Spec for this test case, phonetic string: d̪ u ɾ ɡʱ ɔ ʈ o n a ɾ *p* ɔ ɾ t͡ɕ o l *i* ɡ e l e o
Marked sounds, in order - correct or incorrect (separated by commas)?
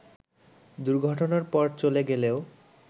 correct, incorrect